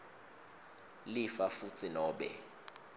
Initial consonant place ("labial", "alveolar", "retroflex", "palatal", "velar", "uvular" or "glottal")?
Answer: alveolar